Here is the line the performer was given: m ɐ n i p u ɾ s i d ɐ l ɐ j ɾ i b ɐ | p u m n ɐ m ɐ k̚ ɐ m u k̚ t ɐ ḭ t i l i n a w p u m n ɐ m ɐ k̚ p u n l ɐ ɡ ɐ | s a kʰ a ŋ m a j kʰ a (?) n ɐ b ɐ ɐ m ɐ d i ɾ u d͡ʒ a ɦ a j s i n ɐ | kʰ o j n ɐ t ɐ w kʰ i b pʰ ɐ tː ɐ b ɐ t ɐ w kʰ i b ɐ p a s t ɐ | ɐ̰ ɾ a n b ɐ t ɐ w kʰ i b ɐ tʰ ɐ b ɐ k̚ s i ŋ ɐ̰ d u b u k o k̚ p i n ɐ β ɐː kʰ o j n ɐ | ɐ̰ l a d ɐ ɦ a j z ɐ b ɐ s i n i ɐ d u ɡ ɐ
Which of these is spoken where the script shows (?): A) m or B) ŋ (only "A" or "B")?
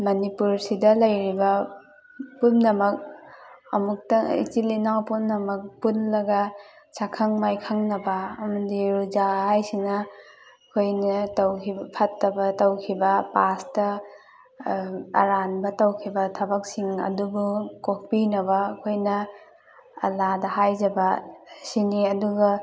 B